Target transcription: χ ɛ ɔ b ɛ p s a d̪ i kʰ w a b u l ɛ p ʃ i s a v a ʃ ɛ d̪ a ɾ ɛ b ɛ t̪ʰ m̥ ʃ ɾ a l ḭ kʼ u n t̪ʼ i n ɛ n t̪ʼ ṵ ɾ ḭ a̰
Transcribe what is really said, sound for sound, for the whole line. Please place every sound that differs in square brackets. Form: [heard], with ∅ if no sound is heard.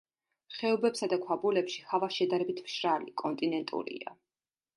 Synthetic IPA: χ ɛ ɔ b ɛ p s a d̪ [a] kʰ w a b u l ɛ p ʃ i [h] a v a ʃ ɛ d̪ a ɾ ɛ b [i] t̪ʰ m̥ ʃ ɾ a l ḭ kʼ [ɔ] n t̪ʼ i n ɛ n t̪ʼ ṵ ɾ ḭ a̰